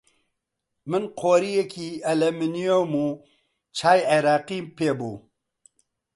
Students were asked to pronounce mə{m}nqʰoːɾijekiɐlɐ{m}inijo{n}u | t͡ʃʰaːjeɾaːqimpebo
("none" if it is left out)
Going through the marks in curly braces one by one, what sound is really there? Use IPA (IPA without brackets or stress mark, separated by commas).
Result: none, m, m